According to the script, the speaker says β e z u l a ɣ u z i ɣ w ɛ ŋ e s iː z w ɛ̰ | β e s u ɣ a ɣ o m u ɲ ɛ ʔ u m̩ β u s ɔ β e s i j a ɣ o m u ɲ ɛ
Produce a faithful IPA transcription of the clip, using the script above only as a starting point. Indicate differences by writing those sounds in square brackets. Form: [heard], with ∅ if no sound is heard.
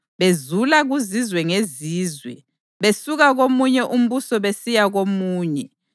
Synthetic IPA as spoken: β e z u l a ɣ u z i [z] w ɛ ŋ e [z] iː z w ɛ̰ | β e s u ɣ a ɣ o m u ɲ ɛ ʔ u m̩ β u s ɔ β e s i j a ɣ o m [uː] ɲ ɛ